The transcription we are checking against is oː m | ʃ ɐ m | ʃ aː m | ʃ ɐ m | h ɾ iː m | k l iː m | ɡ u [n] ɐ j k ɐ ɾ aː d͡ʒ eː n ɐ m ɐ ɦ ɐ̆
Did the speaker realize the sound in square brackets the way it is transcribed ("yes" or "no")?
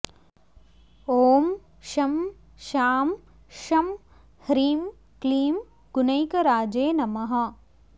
yes